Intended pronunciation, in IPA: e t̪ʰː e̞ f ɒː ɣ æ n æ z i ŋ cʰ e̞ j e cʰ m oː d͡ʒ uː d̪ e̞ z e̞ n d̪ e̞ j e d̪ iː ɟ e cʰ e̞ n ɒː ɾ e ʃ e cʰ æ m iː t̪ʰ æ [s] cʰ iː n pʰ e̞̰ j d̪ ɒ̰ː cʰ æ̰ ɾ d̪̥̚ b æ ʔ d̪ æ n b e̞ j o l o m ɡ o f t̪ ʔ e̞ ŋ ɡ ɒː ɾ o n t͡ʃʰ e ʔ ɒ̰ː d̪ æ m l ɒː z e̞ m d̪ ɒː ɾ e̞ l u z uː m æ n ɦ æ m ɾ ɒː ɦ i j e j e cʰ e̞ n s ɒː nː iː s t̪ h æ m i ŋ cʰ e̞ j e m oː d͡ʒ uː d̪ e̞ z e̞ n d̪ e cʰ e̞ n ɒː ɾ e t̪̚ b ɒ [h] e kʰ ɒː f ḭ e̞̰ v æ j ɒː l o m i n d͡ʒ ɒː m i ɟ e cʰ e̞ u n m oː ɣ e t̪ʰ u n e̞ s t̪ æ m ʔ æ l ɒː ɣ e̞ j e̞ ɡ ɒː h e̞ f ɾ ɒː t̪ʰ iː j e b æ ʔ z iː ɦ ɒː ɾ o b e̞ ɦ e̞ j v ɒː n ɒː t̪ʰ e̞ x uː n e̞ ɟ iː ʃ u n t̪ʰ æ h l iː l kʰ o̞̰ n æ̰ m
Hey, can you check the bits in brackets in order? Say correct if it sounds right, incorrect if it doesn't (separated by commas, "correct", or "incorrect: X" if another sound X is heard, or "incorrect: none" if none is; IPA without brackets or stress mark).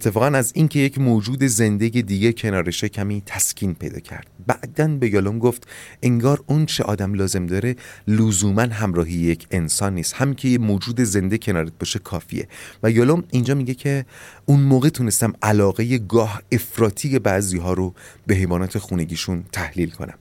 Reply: correct, incorrect: ʃ